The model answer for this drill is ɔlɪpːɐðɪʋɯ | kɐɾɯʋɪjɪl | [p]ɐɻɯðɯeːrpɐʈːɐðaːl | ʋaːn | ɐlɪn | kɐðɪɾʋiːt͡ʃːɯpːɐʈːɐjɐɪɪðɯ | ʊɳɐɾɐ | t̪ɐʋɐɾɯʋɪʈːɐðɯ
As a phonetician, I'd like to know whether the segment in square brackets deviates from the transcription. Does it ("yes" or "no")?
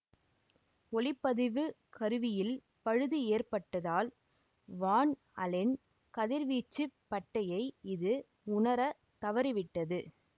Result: no